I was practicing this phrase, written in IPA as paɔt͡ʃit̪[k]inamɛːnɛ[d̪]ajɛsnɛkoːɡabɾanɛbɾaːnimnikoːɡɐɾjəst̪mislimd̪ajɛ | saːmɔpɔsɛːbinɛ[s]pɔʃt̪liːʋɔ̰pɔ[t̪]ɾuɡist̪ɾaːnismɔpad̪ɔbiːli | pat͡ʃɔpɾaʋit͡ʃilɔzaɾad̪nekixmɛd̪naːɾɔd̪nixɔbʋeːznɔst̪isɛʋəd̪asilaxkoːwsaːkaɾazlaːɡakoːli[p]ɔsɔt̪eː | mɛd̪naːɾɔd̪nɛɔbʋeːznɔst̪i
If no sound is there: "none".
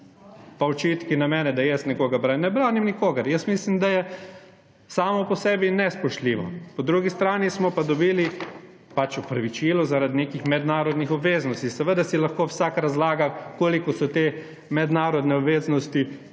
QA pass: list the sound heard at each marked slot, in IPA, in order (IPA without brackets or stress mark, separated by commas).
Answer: k, d̪, s, d̪, k